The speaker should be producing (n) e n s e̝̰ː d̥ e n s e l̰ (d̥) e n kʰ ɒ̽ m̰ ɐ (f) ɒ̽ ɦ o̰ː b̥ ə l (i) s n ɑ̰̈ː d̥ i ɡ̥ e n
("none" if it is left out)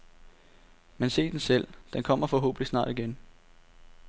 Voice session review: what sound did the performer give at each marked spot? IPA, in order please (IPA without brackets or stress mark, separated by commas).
m, d̥, f, i